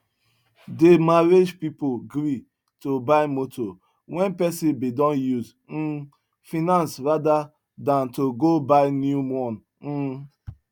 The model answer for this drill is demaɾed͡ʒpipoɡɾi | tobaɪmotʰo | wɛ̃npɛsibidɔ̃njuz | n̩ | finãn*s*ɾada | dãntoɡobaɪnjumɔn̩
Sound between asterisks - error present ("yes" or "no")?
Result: no